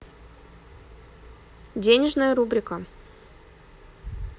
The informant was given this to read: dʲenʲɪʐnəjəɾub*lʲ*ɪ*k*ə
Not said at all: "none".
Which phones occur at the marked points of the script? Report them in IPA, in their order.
ɾʲ, k

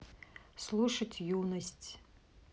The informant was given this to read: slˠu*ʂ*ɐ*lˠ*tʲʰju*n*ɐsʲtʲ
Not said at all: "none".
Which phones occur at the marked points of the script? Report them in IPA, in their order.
ʂ, none, n

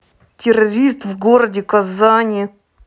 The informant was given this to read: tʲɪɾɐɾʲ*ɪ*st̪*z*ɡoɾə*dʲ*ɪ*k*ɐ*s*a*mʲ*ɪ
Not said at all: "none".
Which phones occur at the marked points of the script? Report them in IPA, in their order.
i, v, dʲ, k, z, nʲ

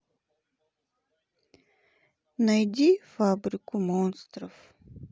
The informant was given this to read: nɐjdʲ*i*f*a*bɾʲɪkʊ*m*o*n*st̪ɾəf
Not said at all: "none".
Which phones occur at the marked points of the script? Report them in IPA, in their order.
i, a, m, n

